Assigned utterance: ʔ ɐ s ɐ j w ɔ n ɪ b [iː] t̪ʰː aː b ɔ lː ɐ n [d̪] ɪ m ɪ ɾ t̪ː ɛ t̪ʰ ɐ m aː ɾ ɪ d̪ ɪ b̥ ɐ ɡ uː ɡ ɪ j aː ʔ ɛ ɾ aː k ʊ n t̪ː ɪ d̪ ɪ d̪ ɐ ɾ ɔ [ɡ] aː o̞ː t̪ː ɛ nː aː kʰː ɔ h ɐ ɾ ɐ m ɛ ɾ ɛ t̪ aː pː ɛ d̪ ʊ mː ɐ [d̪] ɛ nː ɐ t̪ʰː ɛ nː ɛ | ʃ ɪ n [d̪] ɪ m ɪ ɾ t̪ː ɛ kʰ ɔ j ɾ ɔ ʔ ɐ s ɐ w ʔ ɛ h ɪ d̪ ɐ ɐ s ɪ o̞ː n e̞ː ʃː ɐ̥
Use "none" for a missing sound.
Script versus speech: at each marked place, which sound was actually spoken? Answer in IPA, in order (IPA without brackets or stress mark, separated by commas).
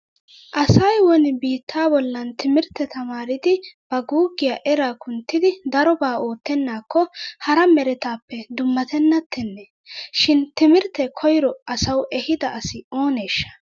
iː, t̪, b, t̪, t̪